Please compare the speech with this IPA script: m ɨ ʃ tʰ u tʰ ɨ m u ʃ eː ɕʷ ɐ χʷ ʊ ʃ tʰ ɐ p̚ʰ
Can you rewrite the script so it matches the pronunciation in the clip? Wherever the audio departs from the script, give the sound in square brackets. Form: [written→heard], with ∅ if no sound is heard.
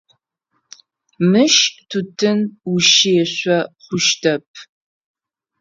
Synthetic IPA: m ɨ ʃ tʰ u tʰ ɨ [m→n] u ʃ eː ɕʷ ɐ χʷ ʊ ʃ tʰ ɐ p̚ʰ